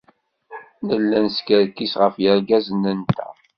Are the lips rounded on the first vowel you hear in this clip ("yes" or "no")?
no